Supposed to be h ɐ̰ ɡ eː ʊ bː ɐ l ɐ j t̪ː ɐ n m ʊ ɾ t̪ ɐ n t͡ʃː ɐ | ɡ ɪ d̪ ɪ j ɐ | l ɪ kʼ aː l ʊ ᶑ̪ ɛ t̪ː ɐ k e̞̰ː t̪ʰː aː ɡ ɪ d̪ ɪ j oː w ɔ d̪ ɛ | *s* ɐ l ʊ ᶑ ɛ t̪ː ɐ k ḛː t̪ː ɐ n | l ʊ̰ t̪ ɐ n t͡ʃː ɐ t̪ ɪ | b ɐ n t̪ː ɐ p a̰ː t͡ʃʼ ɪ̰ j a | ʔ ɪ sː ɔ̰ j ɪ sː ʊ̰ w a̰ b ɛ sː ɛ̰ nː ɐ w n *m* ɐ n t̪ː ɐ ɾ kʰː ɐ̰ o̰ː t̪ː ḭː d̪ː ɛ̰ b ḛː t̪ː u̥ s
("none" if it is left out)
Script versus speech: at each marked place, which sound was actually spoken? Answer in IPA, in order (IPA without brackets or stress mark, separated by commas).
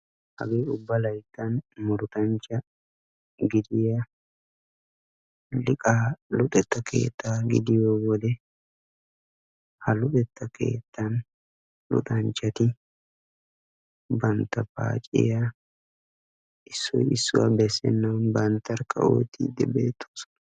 h, b